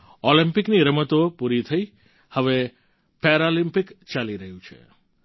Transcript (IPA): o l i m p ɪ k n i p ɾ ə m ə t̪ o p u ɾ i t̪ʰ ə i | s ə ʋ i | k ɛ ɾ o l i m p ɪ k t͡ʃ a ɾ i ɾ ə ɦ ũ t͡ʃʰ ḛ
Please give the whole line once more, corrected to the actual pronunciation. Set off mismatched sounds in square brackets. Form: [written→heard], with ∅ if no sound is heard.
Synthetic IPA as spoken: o l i m p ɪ k n i [p→∅] ɾ ə m ə t̪ o p u ɾ i t̪ʰ ə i | [s→h] ə ʋ [i→e] | [k→p] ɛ ɾ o l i m p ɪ k t͡ʃ a [ɾ→l] i ɾ ə ɦ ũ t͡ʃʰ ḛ